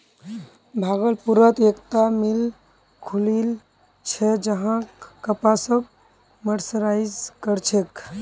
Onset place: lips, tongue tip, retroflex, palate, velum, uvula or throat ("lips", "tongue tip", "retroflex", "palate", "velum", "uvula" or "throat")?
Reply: lips